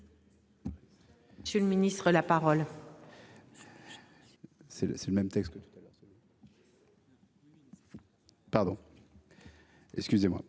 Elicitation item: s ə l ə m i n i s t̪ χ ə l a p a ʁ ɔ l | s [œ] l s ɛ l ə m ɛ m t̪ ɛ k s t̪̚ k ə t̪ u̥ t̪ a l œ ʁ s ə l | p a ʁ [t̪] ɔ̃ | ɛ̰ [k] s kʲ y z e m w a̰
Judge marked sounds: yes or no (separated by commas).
no, no, yes